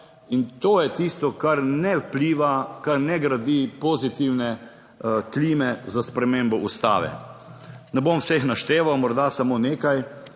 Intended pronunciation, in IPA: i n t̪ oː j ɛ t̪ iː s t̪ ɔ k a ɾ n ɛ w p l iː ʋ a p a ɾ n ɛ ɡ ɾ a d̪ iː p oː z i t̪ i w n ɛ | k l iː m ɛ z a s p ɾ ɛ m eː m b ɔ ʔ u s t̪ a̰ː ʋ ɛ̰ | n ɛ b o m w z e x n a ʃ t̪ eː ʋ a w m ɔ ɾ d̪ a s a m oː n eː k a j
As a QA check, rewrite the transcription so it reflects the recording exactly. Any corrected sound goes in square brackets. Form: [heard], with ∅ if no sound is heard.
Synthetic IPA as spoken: i n t̪ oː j ɛ t̪ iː s t̪ ɔ k a ɾ n ɛ w p l iː ʋ a [k] a ɾ n ɛ ɡ ɾ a d̪ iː p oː z i t̪ i w n ɛ | k l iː m ɛ z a s p ɾ ɛ m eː m b ɔ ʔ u s t̪ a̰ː ʋ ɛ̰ | n ɛ b o m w [s] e x n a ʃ t̪ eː ʋ a w m ɔ ɾ d̪ a s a m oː n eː k a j